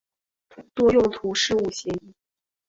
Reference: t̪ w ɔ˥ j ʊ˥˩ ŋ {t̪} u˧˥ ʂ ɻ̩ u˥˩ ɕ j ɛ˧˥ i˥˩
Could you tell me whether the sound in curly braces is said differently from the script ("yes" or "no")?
yes